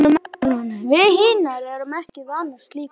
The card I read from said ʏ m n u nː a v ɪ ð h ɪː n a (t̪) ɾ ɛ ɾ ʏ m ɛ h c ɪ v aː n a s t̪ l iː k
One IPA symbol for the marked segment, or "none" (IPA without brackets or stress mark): none